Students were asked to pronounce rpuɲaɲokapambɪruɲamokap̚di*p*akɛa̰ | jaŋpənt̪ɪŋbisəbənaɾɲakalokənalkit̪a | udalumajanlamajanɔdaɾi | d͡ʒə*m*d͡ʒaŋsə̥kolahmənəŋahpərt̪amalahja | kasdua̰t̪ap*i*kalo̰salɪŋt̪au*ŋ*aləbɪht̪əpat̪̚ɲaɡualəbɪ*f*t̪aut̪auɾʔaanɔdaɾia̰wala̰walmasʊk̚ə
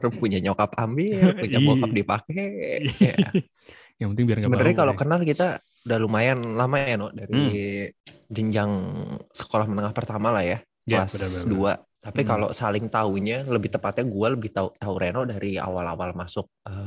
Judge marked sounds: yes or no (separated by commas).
yes, no, yes, no, no